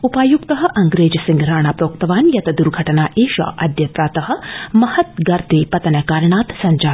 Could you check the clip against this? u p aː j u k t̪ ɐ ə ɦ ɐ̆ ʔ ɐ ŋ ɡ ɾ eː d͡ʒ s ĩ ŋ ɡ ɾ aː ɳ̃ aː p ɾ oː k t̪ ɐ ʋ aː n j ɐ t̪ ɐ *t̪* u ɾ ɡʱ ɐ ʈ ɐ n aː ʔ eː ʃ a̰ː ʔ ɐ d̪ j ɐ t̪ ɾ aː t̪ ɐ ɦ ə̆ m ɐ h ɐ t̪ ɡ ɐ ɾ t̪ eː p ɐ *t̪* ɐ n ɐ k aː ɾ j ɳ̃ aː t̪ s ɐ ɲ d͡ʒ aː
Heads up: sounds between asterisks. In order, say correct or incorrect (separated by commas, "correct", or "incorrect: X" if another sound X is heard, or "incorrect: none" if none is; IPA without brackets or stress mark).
incorrect: d̪, correct